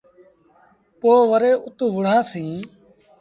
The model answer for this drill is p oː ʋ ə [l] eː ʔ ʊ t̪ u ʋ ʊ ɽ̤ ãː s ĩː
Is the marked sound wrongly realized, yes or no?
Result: yes